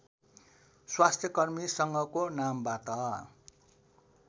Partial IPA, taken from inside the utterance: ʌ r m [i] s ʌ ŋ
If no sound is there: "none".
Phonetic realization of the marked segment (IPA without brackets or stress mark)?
i